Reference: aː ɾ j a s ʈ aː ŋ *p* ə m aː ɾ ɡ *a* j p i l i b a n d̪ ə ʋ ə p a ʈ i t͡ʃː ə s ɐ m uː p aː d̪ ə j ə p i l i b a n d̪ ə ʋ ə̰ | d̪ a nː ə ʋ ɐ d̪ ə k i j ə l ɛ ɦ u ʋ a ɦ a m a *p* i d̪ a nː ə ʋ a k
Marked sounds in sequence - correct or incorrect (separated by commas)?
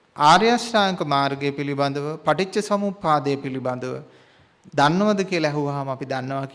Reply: incorrect, incorrect, correct